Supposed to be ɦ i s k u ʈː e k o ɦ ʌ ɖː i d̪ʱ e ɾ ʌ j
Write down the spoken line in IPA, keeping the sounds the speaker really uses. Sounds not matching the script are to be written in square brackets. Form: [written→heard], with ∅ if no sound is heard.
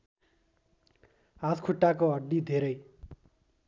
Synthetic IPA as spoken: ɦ [i→a] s [k→kʰ] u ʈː [e→a] k o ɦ ʌ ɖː i d̪ʱ e ɾ ʌ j